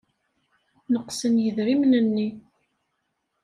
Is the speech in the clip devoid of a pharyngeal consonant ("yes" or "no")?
yes